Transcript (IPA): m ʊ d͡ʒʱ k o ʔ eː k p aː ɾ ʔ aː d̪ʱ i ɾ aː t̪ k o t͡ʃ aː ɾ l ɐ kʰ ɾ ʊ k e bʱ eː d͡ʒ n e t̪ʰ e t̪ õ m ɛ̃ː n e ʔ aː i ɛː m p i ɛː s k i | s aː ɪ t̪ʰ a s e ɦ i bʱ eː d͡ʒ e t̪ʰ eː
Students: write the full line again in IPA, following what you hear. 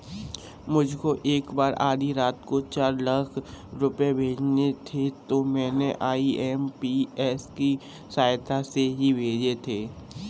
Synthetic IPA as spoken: m ʊ d͡ʒʱ k o ʔ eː k b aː ɾ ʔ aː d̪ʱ i ɾ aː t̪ k o t͡ʃ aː ɾ l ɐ kʰ ɾ ʊ p e bʱ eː d͡ʒ n e t̪ʰ e t̪ o m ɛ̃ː n e ʔ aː i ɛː m p i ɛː s k i | s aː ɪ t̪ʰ a s e ɦ i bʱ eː d͡ʒ e t̪ʰ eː